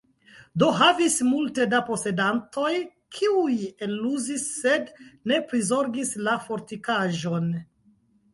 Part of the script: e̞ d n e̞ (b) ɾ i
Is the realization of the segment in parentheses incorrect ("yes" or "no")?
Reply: yes